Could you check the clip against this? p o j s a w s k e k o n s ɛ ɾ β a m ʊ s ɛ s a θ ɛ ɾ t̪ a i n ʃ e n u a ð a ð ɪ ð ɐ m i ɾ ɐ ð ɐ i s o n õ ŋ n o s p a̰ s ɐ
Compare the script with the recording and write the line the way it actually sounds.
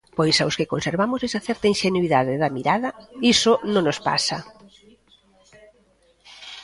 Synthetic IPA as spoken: p o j s a w s k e k o n s e ɾ β a m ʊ s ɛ s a θ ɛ ɾ t̪ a i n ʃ e n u i ð a ð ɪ ð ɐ m i ɾ a ð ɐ i s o n õ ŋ n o s p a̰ s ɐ